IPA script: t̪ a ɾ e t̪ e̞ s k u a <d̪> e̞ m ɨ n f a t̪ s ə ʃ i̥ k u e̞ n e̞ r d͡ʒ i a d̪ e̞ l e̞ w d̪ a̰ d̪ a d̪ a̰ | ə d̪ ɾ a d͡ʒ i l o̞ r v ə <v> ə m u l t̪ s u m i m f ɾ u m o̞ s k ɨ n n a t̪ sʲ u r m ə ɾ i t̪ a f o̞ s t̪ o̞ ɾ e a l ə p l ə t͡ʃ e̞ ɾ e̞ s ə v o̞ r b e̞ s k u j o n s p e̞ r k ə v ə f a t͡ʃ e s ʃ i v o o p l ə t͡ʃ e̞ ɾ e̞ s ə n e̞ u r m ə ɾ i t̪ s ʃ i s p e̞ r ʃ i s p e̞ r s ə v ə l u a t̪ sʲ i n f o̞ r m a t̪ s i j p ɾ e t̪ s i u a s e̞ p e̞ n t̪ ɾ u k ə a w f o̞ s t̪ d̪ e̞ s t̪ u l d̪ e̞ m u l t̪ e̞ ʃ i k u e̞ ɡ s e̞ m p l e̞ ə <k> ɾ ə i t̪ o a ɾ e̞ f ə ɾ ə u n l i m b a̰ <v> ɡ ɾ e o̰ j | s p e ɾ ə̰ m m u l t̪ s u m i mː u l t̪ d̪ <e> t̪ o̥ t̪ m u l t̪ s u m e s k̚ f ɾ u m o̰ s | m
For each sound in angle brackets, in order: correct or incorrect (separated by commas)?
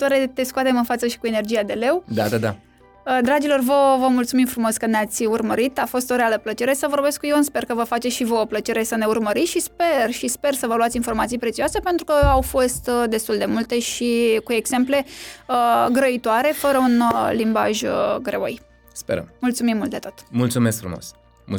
incorrect, correct, incorrect, incorrect, correct